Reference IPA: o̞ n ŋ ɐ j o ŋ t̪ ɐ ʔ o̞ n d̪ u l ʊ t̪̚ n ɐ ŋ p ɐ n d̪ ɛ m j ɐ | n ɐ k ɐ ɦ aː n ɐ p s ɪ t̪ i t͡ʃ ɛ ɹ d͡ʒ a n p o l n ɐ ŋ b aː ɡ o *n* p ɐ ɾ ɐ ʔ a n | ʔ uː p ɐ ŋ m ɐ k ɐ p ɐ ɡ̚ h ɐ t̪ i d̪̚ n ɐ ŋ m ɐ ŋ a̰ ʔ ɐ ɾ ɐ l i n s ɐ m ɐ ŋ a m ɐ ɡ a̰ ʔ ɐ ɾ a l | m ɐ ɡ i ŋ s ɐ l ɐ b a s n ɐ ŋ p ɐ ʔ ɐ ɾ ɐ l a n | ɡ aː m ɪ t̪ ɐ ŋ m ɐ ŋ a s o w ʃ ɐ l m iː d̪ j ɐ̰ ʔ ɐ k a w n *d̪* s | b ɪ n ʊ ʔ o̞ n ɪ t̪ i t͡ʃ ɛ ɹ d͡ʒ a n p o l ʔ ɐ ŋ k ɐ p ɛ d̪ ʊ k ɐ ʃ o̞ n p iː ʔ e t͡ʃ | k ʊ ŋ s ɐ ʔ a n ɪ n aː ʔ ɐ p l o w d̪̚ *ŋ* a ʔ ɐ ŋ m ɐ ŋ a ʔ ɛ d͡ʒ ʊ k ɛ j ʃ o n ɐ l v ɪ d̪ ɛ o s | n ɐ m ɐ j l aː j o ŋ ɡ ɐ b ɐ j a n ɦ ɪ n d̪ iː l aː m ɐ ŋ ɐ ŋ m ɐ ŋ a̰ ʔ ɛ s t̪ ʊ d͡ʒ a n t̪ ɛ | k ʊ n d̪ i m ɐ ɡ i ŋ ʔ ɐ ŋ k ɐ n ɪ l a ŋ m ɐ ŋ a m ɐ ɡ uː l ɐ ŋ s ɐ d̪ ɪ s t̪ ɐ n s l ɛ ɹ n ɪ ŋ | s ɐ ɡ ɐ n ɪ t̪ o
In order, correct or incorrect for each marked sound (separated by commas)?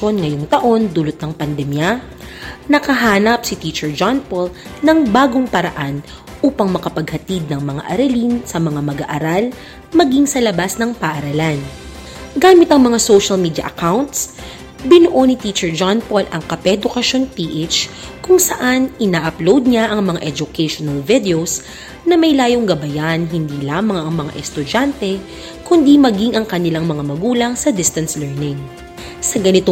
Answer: incorrect, incorrect, incorrect